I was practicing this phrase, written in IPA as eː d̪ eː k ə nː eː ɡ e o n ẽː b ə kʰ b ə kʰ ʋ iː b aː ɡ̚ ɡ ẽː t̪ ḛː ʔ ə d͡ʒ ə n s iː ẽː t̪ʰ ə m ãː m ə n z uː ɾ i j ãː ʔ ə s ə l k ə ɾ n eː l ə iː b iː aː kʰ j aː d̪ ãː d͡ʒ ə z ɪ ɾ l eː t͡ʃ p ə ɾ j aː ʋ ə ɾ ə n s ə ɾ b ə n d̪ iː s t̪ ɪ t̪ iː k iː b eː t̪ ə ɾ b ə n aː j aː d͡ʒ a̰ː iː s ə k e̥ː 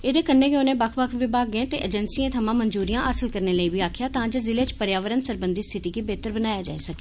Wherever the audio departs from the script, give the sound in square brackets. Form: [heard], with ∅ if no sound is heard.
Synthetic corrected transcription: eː d̪ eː k ə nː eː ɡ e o n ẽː b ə kʰ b ə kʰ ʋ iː b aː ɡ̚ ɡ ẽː t̪ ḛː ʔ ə d͡ʒ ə n s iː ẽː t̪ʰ ə m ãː m ə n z uː ɾ i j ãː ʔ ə s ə l k ə ɾ n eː l ə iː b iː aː kʰ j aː [t̪] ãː d͡ʒ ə z ɪ [∅] l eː t͡ʃ p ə ɾ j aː ʋ ə ɾ ə n s ə ɾ b ə n d̪ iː s [t̪ʰ] ɪ t̪ iː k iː b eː t̪ ə ɾ b ə n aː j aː d͡ʒ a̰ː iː s ə k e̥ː

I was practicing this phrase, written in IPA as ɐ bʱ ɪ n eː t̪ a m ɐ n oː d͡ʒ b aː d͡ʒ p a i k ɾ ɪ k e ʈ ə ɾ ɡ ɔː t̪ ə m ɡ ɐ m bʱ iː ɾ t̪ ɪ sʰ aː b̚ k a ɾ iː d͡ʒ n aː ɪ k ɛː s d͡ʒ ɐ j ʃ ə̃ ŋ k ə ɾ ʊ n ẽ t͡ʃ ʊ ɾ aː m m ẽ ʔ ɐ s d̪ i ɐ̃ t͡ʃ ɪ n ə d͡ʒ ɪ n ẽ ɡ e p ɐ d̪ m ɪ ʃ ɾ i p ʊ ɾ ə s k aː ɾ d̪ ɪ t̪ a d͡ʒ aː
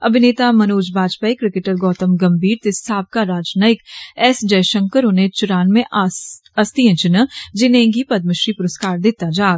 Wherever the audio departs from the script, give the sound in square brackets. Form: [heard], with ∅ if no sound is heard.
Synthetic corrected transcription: ɐ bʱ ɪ n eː t̪ a m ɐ n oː d͡ʒ b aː d͡ʒ p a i k ɾ ɪ k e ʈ ə ɾ ɡ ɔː t̪ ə m ɡ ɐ m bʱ iː ɾ t̪ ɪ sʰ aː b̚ k a ɾ [aː] d͡ʒ n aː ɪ k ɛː s d͡ʒ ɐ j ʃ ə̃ ŋ k ə ɾ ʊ n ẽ t͡ʃ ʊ ɾ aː [n] m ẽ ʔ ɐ s [t̪] i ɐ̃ t͡ʃ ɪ n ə d͡ʒ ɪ n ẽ ɡ [i] p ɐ d̪ m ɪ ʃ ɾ i p ʊ ɾ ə s k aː ɾ d̪ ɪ t̪ a d͡ʒ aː

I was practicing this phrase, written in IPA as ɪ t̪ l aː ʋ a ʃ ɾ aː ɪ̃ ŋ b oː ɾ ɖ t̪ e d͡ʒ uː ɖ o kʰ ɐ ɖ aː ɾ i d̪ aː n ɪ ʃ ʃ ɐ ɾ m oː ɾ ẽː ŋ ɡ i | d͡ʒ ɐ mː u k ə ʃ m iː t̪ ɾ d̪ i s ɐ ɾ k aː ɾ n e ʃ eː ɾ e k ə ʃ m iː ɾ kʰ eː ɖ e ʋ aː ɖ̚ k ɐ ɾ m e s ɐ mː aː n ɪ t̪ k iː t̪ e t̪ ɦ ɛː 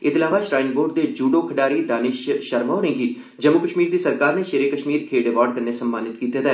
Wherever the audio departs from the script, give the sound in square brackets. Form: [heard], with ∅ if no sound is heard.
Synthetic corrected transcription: ɪ t̪ l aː ʋ a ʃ ɾ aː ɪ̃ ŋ b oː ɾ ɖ [d̪] e d͡ʒ uː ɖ o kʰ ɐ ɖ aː ɾ i d̪ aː n ɪ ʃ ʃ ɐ ɾ m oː ɾ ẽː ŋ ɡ i | d͡ʒ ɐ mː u k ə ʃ m iː [∅] ɾ d̪ i s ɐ ɾ k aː ɾ n e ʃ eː ɾ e k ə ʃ m iː ɾ kʰ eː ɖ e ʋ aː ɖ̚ k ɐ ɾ [n] e s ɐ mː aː n ɪ t̪ k iː t̪ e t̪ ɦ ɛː

